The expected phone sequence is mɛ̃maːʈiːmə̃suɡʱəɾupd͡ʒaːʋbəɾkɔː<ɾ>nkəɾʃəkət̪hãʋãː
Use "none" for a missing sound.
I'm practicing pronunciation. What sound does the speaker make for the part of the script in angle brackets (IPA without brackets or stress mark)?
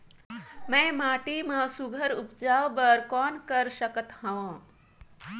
none